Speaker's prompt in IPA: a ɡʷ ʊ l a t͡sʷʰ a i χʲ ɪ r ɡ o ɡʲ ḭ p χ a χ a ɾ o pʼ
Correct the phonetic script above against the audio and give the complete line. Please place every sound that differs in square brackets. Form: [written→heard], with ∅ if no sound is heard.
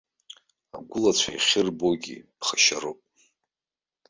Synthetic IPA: a ɡʷ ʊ l a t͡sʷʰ a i χʲ ɪ r [ɡ→b] o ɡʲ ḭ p χ a [χ→ʃ] a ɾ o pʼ